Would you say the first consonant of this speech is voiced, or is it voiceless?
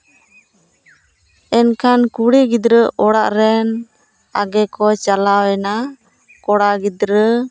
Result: voiced